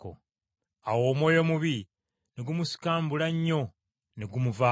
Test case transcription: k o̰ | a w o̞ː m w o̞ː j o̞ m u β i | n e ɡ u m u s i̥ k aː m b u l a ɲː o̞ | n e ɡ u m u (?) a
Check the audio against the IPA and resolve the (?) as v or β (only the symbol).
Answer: v